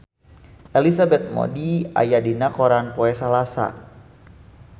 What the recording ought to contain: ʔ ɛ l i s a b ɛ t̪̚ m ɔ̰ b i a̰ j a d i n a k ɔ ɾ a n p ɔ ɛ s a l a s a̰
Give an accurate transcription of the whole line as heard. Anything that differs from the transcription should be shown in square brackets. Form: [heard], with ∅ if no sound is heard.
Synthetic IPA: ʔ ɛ l i s a b ɛ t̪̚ m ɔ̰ [d] i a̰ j a d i n a k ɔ ɾ a n p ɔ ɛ s a l a s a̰